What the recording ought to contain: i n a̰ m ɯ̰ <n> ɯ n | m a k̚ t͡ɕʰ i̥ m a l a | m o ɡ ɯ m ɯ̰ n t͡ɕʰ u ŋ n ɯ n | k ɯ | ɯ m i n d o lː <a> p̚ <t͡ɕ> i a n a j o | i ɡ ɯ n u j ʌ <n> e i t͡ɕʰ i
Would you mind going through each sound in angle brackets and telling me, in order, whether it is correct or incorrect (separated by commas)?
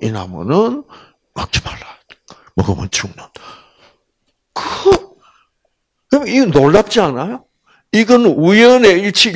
correct, correct, correct, correct